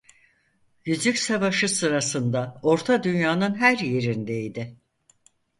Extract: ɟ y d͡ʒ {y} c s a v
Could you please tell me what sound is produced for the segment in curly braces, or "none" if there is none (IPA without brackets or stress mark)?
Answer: y